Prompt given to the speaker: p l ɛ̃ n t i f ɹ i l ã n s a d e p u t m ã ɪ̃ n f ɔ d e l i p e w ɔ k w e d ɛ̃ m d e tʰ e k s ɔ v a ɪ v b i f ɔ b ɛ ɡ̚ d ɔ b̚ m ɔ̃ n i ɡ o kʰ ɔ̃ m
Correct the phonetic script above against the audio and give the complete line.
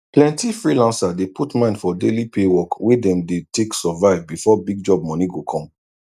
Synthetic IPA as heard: p l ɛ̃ n t i f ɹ i l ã n s a d e p u t m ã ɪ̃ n f ɔ d e l i p e w ɔ k w e d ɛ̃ m d e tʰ e k s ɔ v a ɪ v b i f ɔ b i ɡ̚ d͡ʒ ɔ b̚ m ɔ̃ n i ɡ o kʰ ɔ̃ m